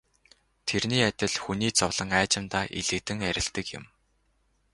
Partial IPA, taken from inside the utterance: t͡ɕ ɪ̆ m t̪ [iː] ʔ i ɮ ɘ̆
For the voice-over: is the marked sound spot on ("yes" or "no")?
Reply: no